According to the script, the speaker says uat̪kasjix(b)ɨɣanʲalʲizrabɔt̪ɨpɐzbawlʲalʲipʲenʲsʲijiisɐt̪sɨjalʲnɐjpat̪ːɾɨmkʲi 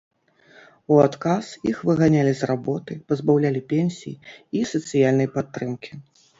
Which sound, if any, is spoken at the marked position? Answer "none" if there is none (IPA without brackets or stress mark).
v